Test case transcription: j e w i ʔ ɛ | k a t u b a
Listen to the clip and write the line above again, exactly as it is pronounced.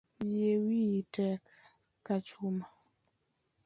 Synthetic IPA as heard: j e w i t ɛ | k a t͡ʃ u m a